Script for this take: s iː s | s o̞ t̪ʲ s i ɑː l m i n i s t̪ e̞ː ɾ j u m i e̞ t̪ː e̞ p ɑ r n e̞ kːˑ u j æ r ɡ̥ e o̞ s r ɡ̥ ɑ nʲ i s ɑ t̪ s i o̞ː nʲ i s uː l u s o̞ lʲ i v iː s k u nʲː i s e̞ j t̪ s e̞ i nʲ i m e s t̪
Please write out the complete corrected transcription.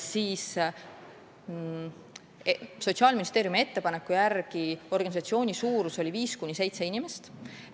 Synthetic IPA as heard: s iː s | s o̞ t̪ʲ s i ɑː l m i n i s t̪ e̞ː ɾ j u m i e̞ t̪ː e̞ p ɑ n e̞ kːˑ u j æ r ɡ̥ i o̞ r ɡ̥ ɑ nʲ i s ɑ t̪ s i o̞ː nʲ i s uː ɾ u s o̞ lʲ i v iː s k u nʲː i s e̞ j t̪ s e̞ i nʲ i m e s t̪